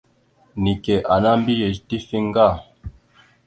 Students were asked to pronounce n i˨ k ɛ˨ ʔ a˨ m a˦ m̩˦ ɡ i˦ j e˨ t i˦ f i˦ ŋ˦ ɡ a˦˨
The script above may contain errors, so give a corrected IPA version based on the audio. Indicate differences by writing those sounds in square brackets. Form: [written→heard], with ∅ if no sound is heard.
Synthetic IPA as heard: n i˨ k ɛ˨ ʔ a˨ [m→n] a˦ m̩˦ [ɡ→b] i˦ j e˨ t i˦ f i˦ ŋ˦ ɡ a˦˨